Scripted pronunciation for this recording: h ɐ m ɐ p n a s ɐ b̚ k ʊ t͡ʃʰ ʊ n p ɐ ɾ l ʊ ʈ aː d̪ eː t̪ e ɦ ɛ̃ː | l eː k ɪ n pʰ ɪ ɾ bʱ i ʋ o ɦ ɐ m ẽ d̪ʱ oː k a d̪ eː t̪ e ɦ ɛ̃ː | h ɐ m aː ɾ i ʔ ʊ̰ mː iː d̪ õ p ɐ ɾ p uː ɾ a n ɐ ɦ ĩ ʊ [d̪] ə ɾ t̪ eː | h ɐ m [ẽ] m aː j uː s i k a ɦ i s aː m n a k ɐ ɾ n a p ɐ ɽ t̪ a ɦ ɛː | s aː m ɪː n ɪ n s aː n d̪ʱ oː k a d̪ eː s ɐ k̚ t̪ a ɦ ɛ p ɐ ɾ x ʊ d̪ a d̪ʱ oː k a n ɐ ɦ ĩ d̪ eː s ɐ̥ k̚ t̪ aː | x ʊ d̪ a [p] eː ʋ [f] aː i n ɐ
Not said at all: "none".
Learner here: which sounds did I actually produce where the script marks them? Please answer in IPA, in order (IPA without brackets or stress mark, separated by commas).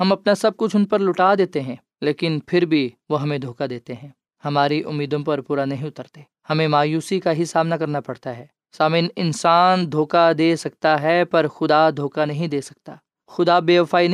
t̪, ẽ, b, f